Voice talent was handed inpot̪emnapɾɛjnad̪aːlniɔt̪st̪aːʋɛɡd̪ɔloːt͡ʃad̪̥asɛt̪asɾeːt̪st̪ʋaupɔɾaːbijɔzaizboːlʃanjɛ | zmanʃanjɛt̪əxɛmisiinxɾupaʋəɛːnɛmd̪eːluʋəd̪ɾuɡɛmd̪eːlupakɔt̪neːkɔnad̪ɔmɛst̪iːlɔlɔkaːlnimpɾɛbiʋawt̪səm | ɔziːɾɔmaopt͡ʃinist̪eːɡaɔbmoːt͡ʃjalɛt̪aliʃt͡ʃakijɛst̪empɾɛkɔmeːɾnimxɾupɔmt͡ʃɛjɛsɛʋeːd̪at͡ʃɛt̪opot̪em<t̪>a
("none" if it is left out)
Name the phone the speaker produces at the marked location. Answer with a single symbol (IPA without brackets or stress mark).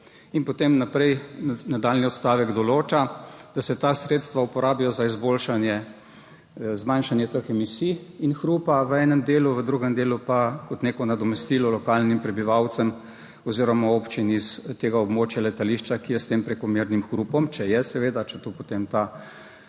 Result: t̪